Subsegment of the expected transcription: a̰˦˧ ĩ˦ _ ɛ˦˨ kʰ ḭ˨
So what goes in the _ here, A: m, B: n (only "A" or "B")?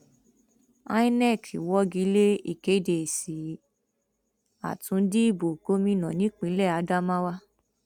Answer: B